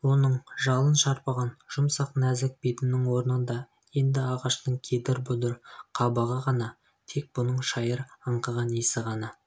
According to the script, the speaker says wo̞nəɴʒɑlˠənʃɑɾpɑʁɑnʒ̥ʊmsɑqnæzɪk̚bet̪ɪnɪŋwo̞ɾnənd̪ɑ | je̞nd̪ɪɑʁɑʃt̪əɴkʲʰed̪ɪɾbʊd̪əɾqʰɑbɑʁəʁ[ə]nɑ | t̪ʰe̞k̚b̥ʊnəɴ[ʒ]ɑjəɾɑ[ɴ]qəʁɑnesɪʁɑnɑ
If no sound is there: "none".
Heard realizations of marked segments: ɑ, ʃ, ɴ

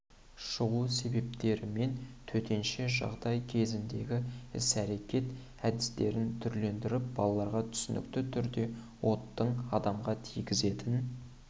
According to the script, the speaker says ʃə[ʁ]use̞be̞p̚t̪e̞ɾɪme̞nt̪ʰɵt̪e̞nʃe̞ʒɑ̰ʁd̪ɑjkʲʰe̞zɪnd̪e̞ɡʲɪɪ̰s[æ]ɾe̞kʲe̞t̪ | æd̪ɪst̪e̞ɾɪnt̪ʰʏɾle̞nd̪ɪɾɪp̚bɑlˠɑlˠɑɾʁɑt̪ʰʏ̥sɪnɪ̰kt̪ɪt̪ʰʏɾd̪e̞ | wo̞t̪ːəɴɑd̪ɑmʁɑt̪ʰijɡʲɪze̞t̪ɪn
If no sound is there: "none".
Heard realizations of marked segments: ʁ, æ

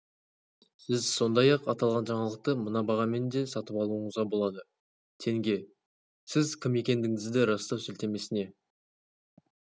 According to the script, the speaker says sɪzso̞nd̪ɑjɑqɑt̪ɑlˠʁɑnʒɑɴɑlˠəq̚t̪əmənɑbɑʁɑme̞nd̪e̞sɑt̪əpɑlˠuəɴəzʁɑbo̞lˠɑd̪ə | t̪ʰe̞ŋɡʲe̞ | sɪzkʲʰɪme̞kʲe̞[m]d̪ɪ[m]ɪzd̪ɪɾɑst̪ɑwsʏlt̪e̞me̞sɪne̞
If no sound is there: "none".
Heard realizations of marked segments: n, ŋ

